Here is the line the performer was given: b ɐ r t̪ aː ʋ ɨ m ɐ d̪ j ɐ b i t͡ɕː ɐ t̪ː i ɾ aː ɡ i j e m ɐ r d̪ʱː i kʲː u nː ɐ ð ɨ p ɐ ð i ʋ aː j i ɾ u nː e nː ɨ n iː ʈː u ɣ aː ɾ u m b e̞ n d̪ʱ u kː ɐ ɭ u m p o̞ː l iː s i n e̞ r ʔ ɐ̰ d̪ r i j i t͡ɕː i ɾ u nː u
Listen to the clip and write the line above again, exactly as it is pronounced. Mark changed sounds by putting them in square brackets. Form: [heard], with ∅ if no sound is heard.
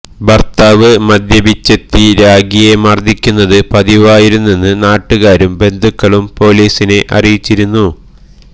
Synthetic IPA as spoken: b ɐ r t̪ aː ʋ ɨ m ɐ d̪ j ɐ b i t͡ɕː ɐ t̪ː i ɾ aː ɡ i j e m ɐ r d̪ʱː i kʲː u nː ɐ ð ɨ p ɐ ð i ʋ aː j i ɾ u nː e nː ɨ n [aː] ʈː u ɣ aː ɾ u m b e̞ n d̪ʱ u kː ɐ ɭ u m p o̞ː l iː s i n e̞ [∅] ʔ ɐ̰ [∅] r i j i t͡ɕː i ɾ u nː u